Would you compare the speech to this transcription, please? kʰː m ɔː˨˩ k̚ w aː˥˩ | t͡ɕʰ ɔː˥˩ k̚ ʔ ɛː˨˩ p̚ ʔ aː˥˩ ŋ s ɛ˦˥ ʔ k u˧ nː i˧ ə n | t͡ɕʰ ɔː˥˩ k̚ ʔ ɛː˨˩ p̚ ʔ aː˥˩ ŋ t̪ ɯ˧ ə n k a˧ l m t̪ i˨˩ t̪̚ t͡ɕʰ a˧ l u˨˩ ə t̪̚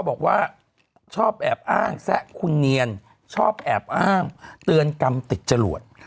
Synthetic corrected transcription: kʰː b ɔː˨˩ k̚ w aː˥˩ | t͡ɕʰ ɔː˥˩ p̚ ʔ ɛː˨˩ p̚ ʔ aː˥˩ ŋ s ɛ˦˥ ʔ kʰ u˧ nː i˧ ə n | t͡ɕʰ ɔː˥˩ p̚ ʔ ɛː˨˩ p̚ ʔ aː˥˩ ŋ t̪ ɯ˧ ə n k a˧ m t̪ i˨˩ t̪̚ t͡ɕ a˧ l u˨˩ ə t̪̚